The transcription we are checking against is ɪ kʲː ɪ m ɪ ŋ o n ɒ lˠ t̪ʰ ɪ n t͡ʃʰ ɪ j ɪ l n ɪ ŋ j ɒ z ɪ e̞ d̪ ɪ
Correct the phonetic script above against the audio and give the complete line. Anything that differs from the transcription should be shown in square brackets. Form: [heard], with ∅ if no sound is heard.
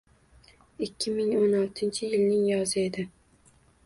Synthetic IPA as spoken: ɪ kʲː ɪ m ɪ ŋ o n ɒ lˠ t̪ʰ ɪ n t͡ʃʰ ɪ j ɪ l n ɪ ŋ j ɒ z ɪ e̞ d̪ ɪ